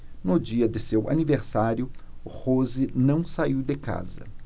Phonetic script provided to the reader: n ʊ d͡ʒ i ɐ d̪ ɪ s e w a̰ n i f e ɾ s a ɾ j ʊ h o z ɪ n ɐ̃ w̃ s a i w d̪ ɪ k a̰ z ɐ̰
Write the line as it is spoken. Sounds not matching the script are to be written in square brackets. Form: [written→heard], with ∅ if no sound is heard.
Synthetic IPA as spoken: n ʊ d͡ʒ i ɐ d̪ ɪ s e w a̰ n i [f→v] e ɾ s a ɾ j ʊ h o z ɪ n ɐ̃ w̃ s a i w d̪ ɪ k a̰ z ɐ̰